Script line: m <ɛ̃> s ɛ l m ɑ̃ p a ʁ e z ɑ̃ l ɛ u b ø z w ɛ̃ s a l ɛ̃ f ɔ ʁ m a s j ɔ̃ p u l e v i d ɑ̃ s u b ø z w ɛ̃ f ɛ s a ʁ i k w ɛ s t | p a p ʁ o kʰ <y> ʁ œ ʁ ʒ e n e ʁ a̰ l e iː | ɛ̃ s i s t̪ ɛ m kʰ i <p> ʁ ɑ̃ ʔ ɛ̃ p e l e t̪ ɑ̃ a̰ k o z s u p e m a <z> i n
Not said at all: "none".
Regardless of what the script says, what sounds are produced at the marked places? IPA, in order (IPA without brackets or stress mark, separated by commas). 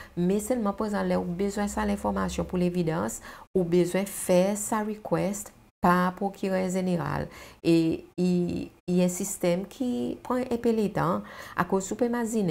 ɛ, y, p, z